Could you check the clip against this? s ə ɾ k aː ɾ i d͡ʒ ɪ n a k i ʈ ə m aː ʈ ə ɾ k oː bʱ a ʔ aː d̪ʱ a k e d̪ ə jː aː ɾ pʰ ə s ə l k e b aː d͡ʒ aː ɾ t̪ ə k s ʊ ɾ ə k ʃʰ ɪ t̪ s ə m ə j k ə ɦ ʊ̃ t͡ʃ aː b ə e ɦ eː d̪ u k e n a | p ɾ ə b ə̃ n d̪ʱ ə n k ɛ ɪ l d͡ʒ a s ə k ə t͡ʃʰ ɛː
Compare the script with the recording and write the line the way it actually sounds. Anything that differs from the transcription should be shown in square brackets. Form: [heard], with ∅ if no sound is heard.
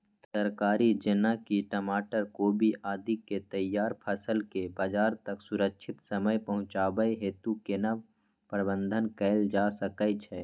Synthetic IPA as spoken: s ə ɾ k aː ɾ i d͡ʒ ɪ n a k i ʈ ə m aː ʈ ə ɾ k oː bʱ [i] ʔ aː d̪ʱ [i] k e [t̪] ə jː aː ɾ pʰ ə s ə l k e b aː d͡ʒ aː ɾ t̪ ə k s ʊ ɾ ə k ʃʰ ɪ t̪ s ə m ə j [p] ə ɦ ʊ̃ t͡ʃ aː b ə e ɦ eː [t̪] u k e n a | p ɾ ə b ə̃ n d̪ʱ ə n k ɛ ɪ l d͡ʒ a s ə k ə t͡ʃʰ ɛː